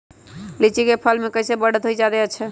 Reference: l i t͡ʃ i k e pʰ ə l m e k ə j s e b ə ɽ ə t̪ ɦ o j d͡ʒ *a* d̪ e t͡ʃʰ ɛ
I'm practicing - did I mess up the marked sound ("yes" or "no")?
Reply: no